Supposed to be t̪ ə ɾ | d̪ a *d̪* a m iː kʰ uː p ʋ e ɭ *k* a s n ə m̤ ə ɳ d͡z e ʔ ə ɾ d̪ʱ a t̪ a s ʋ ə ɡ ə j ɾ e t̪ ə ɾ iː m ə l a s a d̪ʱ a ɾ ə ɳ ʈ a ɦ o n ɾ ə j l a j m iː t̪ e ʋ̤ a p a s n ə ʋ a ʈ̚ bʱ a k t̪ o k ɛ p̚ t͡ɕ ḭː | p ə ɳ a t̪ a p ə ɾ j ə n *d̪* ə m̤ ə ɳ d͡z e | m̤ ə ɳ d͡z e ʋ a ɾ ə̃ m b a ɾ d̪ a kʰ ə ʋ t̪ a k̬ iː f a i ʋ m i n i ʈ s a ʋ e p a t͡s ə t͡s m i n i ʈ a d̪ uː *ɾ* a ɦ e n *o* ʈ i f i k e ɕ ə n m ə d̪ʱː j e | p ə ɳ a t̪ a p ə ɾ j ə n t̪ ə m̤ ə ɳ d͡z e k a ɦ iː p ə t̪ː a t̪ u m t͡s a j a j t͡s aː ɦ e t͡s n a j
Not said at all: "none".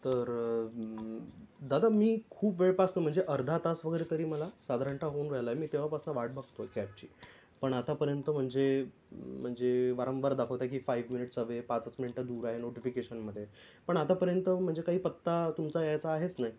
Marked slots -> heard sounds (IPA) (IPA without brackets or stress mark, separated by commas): d̪, p, t̪, ɾ, o